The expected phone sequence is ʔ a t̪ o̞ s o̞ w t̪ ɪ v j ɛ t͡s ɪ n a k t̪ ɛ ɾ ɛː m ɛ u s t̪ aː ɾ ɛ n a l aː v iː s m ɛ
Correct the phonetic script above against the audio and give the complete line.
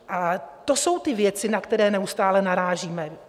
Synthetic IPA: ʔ a t̪ o̞ s o̞ w t̪ ɪ v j ɛ t͡s ɪ n a k t̪ ɛ ɾ ɛː n ɛ u s t̪ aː l ɛ n a ɾ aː ʒ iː m ɛ